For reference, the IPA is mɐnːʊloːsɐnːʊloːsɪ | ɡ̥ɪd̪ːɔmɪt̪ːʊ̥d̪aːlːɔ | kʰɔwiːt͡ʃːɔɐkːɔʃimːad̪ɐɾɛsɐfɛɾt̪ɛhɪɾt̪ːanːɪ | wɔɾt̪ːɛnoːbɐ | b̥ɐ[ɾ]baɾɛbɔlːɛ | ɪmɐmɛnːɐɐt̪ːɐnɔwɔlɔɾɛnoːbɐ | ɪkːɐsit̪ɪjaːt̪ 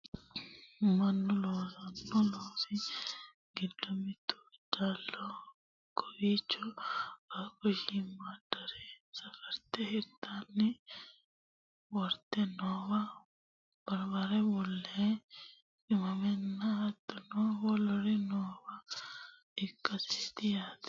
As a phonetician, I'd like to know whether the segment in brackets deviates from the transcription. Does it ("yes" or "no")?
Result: no